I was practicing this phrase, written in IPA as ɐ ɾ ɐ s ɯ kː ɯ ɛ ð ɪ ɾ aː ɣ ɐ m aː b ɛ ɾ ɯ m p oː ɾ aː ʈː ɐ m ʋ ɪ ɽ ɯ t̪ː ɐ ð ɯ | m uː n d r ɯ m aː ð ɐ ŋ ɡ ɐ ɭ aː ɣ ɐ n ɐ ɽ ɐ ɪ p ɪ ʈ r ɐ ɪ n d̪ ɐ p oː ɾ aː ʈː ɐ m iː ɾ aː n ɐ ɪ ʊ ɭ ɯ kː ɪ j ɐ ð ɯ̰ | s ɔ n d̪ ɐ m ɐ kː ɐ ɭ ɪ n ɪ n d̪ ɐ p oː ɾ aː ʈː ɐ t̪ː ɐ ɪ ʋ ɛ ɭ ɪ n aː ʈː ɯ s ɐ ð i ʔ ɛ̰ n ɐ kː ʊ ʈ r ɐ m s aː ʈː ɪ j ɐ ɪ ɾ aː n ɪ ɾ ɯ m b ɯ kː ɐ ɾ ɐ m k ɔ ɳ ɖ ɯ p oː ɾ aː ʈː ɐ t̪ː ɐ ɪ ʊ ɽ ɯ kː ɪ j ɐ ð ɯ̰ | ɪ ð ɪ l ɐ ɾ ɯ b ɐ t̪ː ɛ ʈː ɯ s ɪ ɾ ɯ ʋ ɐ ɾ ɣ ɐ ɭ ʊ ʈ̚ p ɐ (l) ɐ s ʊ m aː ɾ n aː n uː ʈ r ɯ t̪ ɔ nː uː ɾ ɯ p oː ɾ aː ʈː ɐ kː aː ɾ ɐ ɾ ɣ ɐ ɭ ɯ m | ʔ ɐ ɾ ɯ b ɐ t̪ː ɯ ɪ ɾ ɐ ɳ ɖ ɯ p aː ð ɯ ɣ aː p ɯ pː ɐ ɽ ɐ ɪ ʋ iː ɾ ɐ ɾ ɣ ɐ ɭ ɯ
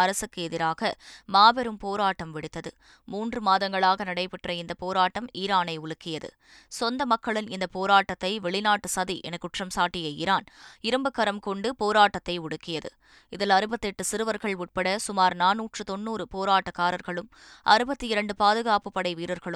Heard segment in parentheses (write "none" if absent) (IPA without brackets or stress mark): ɽ